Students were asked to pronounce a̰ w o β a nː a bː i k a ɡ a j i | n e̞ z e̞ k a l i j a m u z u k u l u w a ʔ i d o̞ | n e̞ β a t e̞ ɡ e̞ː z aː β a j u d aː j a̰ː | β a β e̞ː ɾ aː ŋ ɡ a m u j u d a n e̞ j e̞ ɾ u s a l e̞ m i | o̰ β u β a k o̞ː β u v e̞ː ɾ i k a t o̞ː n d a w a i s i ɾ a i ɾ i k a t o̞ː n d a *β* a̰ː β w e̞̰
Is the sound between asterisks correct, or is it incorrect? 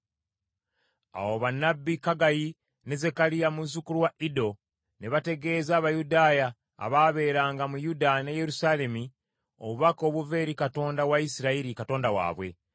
incorrect